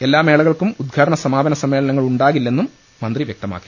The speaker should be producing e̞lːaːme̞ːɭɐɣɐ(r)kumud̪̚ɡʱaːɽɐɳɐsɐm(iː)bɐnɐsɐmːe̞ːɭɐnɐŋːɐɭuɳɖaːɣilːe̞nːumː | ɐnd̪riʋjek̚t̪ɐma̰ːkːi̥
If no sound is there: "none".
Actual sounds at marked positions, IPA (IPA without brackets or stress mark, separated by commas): ɭ, aː